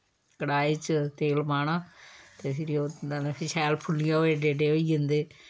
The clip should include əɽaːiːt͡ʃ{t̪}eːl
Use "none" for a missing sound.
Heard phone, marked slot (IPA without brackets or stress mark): t̪